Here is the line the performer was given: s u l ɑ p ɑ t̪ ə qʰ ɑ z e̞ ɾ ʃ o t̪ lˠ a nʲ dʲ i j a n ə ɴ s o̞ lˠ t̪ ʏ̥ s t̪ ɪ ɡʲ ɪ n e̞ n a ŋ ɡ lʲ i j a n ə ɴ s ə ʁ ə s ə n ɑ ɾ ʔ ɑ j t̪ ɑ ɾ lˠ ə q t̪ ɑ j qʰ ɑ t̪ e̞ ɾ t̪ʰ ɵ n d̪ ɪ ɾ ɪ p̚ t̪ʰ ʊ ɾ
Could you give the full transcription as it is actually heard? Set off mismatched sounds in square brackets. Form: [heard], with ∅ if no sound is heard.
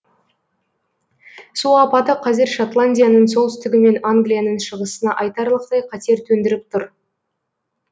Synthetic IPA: s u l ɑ p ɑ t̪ ə qʰ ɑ z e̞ ɾ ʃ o t̪ lˠ a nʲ dʲ i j a n ə ɴ s o̞ lˠ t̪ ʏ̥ s t̪ ɪ ɡʲ ɪ [m] e̞ n a ŋ ɡ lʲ i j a n ə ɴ [ʃ] ə ʁ ə s ə n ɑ [∅] ʔ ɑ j t̪ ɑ ɾ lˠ ə q t̪ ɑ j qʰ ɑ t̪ e̞ ɾ t̪ʰ ɵ n d̪ ɪ ɾ ɪ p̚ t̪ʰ ʊ ɾ